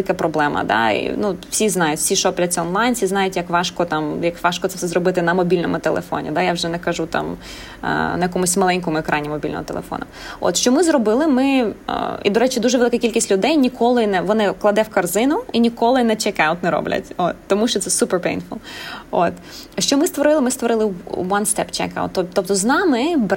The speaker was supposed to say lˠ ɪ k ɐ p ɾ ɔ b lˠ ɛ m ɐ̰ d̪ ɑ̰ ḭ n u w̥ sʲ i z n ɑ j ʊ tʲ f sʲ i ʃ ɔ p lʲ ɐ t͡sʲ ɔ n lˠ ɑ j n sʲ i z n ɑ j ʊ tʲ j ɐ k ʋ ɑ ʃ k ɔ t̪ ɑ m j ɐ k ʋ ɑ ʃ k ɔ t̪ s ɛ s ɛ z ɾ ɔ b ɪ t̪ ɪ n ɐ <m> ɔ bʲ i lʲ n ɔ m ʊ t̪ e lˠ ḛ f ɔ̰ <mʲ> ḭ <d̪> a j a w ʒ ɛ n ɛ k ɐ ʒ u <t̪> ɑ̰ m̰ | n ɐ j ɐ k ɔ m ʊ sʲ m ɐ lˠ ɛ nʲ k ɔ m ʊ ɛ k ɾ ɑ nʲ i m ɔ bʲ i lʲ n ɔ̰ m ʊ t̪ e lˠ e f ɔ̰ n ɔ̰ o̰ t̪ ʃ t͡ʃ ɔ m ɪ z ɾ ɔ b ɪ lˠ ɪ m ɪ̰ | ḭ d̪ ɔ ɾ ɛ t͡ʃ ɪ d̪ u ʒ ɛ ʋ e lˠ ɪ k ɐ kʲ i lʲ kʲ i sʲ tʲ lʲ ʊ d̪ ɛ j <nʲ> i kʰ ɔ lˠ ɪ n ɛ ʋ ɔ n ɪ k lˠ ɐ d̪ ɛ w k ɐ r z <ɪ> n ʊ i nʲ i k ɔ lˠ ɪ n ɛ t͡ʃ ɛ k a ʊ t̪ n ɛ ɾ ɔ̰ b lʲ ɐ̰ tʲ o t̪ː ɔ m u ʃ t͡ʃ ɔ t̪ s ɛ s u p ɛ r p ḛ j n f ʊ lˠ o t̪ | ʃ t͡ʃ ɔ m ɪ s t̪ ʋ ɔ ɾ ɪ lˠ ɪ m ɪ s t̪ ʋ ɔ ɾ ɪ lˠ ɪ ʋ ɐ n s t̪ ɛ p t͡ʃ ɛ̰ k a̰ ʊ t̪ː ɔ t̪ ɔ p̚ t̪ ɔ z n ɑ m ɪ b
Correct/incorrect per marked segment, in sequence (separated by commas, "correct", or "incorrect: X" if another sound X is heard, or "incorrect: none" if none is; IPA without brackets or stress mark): correct, incorrect: nʲ, correct, correct, correct, correct